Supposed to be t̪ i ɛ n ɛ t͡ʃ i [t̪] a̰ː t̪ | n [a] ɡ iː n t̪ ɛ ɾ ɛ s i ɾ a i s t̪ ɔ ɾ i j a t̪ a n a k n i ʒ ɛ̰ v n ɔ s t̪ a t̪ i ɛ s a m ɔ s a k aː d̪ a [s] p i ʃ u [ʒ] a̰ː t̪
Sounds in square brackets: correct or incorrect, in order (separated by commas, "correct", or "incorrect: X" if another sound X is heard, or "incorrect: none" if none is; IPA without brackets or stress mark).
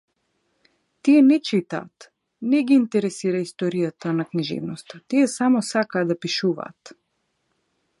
correct, incorrect: ɛ, incorrect: none, incorrect: v